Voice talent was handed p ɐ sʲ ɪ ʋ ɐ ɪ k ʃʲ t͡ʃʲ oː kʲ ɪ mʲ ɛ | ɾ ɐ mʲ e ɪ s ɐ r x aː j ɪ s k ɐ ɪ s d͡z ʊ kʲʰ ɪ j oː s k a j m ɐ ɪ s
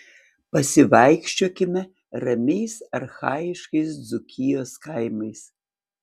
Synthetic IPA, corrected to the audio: p ɐ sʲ ɪ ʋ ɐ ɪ k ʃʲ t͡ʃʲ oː kʲ ɪ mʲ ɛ | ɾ ɐ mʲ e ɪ s ɐ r x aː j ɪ ʃ k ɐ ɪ s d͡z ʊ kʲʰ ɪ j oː s k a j m ɐ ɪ s